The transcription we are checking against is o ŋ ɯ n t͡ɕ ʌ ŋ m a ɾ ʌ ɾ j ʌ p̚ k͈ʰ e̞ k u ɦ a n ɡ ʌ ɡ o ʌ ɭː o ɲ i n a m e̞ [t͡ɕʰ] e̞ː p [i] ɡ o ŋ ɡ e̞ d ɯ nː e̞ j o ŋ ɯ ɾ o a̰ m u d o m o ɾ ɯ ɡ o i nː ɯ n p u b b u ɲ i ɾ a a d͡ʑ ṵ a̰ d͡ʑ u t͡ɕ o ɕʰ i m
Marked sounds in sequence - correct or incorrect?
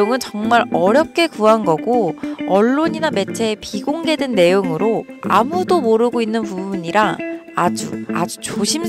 correct, correct

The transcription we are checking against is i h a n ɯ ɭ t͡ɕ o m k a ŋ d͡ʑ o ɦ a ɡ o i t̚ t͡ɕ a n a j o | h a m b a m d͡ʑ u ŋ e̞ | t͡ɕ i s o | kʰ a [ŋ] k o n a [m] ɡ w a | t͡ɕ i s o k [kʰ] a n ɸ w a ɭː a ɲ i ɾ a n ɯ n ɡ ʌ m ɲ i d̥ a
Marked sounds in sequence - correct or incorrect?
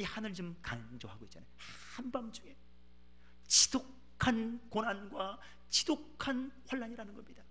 incorrect: n, incorrect: n, correct

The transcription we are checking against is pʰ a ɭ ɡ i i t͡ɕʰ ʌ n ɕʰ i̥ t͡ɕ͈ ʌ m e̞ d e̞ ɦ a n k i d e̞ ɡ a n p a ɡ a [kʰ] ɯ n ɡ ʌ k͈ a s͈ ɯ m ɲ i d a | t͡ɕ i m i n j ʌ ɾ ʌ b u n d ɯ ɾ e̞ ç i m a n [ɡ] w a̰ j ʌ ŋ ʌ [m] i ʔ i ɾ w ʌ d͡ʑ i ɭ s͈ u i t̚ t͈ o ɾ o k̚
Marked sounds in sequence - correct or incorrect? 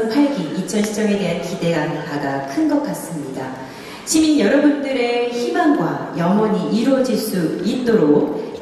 correct, correct, incorrect: ɲ

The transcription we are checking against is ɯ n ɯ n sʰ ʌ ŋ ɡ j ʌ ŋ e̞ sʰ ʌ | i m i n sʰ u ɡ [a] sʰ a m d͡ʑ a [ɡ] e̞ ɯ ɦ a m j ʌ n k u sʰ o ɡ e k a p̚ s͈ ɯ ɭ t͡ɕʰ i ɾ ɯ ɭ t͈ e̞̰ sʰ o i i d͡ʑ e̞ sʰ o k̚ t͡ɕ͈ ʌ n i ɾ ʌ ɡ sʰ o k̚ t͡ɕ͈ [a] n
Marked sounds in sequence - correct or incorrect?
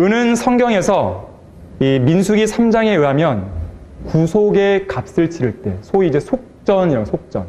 incorrect: i, incorrect: ŋ, incorrect: ʌ

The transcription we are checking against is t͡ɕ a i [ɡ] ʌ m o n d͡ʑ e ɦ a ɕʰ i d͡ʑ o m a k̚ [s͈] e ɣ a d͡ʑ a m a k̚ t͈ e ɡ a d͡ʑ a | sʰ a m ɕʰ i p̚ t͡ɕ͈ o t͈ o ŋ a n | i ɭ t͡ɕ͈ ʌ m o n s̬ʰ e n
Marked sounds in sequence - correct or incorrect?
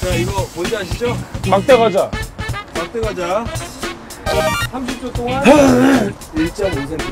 correct, incorrect: t͈

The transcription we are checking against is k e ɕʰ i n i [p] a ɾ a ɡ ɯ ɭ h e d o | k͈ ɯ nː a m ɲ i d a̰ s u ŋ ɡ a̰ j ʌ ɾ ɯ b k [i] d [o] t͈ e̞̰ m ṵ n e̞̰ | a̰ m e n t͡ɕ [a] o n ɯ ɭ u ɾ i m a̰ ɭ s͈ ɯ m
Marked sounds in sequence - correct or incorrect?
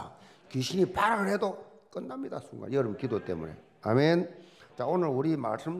correct, correct, correct, correct

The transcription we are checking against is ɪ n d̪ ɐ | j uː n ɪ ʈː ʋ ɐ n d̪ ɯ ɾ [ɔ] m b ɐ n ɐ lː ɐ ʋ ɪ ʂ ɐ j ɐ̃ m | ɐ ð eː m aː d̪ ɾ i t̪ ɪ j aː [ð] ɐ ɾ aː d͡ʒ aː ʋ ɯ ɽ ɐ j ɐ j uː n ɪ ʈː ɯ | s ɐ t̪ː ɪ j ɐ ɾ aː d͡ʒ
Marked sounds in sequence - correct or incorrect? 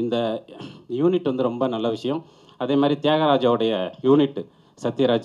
correct, incorrect: ɣ

